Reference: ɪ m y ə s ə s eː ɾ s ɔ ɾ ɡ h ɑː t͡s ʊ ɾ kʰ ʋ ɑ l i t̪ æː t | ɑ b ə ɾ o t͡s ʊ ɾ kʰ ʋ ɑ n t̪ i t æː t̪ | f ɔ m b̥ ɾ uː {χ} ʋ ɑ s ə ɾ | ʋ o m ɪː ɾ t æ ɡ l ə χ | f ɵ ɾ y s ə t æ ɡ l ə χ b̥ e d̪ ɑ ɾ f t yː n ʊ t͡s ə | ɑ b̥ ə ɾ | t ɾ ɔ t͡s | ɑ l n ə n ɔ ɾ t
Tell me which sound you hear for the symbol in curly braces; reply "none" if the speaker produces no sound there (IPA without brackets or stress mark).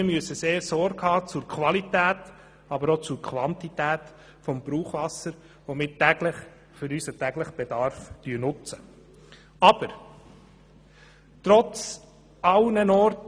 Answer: χ